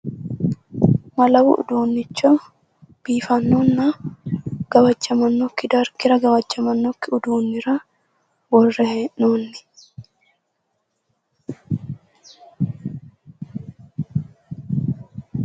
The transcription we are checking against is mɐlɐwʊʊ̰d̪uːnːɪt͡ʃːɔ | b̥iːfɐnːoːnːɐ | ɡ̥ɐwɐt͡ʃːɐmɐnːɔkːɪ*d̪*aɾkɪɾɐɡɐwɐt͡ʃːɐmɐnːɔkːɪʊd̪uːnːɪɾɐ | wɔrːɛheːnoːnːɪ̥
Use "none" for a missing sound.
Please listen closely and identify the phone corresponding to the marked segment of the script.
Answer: d̪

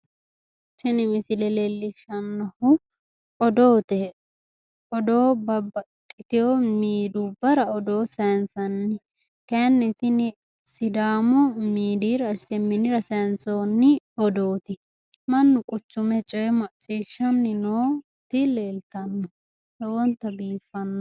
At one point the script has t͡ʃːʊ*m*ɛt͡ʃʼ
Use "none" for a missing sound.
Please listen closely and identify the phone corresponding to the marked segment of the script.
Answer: m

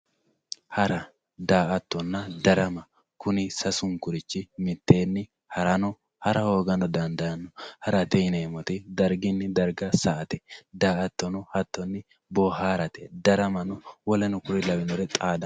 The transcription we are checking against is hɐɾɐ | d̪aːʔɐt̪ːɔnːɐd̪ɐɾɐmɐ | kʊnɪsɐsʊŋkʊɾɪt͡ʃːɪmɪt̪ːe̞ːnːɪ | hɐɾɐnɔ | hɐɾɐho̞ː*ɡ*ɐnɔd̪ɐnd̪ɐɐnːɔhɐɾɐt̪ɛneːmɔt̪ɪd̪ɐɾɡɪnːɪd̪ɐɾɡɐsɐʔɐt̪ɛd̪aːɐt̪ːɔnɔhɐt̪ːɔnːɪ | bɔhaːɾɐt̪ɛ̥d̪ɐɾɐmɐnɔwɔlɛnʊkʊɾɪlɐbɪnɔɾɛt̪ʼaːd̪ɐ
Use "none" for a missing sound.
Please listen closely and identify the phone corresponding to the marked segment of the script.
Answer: ɡ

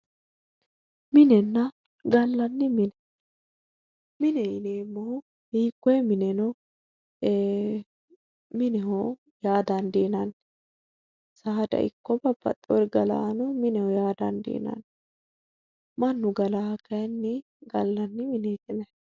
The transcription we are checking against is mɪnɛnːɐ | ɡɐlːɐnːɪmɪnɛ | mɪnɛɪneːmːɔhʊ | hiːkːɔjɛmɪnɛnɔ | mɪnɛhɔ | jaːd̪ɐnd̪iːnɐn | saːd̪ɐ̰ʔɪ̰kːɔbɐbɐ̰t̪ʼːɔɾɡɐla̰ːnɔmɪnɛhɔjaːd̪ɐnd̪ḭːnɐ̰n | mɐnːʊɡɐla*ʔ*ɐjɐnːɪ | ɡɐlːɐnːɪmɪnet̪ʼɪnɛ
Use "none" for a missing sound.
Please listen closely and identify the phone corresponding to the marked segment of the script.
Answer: k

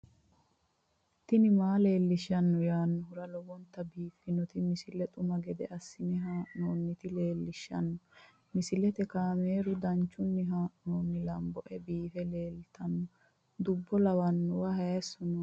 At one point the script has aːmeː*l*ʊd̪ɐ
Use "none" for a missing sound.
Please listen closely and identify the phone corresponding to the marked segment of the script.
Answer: ɾ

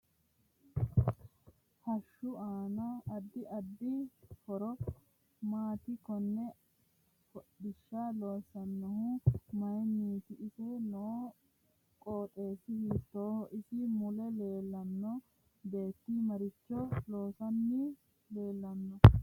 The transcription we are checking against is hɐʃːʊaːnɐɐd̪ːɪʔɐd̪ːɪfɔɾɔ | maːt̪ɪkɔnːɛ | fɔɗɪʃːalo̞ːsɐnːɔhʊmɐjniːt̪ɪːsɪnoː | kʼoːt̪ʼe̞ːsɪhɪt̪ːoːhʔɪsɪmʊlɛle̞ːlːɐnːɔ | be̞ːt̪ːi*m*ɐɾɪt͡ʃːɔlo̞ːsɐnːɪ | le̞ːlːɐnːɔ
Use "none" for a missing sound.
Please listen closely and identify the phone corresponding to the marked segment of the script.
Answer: m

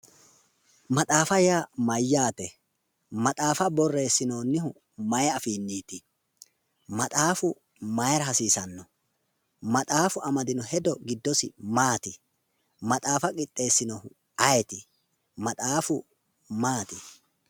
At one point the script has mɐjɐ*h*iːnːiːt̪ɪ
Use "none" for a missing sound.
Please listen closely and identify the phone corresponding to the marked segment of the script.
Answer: f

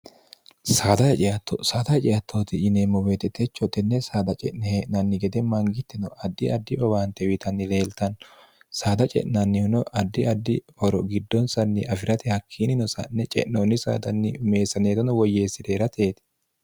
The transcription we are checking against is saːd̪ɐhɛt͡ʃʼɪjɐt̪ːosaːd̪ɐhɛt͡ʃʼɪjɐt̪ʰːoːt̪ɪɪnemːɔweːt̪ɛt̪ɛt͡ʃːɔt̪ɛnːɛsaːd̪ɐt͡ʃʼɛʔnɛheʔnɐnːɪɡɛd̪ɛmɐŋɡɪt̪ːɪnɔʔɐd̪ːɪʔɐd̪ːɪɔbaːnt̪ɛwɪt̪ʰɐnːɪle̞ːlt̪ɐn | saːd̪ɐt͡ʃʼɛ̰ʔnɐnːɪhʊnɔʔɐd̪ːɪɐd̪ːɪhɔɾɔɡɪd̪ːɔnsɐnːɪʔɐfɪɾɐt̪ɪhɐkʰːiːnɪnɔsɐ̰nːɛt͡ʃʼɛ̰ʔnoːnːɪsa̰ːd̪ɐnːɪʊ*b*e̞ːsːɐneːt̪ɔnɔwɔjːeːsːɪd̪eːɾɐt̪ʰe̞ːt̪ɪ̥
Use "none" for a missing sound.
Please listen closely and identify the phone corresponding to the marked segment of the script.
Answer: m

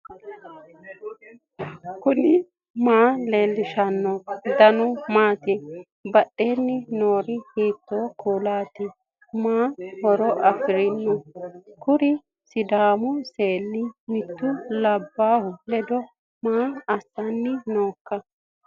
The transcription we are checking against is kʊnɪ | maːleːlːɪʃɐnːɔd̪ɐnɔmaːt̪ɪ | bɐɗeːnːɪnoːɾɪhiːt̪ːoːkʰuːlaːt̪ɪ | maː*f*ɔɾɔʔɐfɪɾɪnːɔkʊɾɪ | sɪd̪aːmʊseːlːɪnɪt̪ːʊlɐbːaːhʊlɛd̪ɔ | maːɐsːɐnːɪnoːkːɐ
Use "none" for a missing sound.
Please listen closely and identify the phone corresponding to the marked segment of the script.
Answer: h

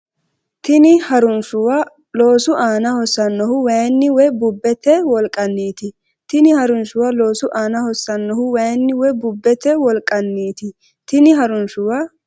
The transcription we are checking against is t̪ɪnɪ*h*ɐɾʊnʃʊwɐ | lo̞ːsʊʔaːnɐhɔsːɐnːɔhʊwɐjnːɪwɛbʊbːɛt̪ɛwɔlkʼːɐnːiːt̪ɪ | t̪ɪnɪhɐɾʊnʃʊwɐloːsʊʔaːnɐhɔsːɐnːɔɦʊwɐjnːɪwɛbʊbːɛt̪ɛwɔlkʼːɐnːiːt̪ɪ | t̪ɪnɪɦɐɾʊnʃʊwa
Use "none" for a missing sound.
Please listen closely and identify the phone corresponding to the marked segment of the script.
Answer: h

